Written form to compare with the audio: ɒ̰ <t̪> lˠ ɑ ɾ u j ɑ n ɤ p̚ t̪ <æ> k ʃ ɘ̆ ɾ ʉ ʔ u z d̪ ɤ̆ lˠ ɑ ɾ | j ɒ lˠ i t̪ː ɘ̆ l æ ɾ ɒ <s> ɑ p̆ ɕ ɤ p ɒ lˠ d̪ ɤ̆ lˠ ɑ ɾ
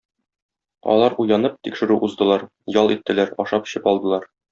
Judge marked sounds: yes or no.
no, no, no

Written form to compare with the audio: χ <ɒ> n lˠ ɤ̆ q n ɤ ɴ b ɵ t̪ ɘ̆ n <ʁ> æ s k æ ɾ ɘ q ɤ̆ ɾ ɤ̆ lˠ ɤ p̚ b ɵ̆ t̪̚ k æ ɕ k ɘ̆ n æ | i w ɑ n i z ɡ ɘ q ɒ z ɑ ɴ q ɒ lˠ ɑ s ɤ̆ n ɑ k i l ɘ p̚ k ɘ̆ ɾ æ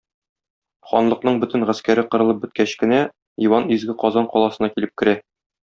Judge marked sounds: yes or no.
yes, yes

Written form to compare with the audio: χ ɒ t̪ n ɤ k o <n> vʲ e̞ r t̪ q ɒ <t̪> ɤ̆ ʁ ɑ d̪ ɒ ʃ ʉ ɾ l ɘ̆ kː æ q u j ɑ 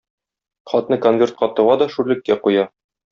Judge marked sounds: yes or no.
yes, yes

